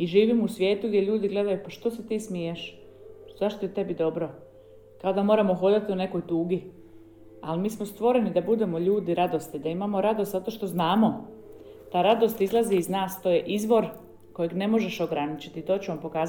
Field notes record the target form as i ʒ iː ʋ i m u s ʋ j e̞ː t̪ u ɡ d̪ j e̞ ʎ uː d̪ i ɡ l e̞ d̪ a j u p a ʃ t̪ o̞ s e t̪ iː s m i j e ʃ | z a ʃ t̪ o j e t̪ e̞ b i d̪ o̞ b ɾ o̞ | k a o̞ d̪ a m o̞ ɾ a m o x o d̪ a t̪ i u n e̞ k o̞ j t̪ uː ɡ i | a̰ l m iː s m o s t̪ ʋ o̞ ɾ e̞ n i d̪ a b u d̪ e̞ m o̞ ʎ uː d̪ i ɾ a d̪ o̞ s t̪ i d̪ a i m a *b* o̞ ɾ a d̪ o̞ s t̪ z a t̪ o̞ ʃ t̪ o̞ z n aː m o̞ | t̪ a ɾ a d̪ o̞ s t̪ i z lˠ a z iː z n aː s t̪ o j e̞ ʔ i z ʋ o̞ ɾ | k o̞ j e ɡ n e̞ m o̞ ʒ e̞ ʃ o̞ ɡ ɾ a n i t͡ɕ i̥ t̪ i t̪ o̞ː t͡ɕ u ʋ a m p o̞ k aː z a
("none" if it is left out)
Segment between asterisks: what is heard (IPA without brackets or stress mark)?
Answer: m